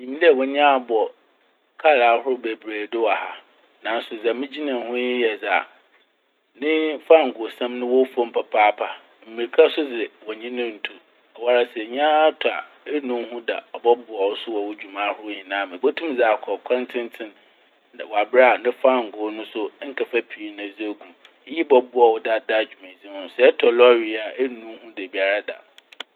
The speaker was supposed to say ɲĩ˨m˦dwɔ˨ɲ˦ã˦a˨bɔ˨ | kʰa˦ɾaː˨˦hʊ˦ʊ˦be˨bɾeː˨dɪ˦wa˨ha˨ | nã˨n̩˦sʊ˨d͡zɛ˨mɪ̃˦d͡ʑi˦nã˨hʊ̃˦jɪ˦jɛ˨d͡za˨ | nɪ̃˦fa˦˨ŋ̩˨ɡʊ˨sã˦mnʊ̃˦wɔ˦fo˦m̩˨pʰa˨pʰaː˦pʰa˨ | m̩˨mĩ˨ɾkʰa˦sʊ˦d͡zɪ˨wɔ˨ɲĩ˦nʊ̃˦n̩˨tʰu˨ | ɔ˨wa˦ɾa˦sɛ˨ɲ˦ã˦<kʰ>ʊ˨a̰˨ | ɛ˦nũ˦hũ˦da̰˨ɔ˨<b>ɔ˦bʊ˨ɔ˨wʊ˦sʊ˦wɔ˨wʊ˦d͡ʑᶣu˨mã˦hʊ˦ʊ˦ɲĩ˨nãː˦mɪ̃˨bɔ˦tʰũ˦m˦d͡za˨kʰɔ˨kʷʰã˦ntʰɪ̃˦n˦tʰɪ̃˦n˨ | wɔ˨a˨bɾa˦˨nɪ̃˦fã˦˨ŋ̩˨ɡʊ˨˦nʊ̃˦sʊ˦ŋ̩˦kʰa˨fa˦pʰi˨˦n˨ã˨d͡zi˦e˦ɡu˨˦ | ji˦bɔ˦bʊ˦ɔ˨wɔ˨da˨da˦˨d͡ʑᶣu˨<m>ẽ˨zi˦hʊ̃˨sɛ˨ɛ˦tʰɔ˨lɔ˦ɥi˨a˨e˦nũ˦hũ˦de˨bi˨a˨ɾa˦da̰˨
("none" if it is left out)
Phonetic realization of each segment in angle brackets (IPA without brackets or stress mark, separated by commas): tʰ, b, m